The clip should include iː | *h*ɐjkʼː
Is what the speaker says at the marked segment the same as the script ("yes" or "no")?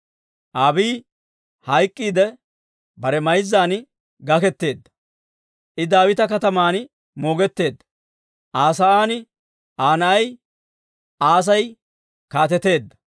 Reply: yes